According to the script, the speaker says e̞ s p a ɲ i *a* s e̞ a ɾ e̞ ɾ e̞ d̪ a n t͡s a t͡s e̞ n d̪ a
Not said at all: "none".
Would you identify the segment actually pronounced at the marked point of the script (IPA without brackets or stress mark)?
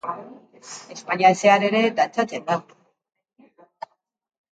a